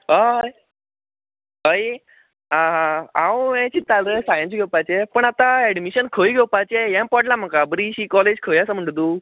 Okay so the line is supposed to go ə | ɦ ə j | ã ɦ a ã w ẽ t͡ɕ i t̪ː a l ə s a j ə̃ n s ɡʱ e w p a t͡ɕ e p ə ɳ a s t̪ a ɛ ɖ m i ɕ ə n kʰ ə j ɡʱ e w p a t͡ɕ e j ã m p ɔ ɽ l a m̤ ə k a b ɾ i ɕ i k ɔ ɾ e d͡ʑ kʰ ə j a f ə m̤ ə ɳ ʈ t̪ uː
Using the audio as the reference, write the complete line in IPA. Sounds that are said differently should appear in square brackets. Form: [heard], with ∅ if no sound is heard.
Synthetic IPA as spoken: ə | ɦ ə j | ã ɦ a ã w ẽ t͡ɕ i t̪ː a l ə s a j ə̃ n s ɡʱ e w p a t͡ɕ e p ə ɳ a [∅] t̪ a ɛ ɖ m i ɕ ə n kʰ ə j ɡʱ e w p a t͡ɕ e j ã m p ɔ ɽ l a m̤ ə k a b ɾ i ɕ i k ɔ [l] e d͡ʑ kʰ ə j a [s] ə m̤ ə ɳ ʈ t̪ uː